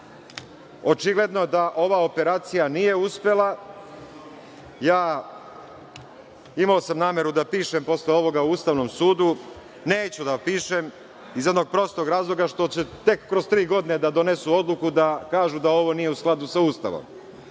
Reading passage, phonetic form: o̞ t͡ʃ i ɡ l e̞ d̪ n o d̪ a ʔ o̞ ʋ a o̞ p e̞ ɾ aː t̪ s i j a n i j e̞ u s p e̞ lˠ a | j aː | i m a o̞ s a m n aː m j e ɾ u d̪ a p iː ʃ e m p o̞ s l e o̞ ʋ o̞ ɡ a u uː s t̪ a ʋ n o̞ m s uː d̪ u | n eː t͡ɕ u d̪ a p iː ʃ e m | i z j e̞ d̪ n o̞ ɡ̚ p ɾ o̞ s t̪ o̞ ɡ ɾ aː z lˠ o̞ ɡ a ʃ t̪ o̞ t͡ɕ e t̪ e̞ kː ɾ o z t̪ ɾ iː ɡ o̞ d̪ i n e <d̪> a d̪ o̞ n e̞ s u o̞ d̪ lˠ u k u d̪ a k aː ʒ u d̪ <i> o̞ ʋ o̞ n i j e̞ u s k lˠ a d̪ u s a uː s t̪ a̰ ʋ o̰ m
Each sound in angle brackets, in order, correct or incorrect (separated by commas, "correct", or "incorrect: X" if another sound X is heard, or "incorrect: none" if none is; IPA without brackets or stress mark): correct, incorrect: a